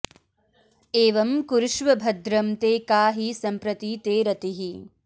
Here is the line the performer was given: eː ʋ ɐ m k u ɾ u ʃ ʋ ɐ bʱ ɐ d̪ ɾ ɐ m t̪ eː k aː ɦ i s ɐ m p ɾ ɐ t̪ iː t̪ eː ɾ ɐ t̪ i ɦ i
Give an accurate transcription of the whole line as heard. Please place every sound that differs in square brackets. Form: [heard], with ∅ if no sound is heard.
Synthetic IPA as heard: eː ʋ ɐ m k u ɾ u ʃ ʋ ɐ bʱ ɐ d̪ ɾ ɐ m t̪ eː k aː ɦ i s ɐ m p ɾ ɐ t̪ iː t̪ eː ɾ ɐ t̪ i ɦ i